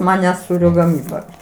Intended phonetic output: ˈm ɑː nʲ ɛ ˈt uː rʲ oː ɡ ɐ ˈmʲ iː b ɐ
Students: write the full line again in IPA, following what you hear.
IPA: ˈm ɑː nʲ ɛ ˈs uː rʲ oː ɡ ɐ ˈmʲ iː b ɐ